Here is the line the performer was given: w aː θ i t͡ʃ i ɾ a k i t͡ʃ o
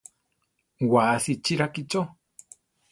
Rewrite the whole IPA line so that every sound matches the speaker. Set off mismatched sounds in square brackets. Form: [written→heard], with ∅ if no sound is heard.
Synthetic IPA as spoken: w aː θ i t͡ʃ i ɾ a k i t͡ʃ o

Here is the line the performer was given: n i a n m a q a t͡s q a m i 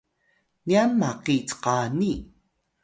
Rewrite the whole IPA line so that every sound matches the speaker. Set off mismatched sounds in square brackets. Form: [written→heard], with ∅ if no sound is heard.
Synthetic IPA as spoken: n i a n m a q [a→i] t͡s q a [m→n] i

